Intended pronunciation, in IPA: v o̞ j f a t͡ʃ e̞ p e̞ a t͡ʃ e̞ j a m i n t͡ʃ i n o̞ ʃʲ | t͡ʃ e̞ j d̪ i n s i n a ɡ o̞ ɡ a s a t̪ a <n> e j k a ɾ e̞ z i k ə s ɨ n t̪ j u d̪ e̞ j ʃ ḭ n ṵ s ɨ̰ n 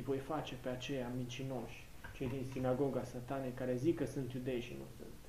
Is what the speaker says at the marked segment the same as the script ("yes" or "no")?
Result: yes